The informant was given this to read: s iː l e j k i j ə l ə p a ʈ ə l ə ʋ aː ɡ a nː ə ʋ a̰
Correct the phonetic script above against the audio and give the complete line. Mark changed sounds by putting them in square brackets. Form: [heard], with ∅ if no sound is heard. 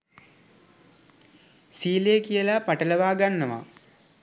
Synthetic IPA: s iː l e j k i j ə l [a] p a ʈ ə l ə ʋ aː ɡ a nː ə ʋ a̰